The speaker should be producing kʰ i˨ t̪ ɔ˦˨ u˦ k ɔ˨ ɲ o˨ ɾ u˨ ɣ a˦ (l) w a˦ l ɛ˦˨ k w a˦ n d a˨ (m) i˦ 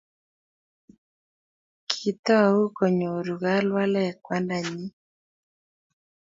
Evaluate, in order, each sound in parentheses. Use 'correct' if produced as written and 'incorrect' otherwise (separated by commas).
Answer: correct, incorrect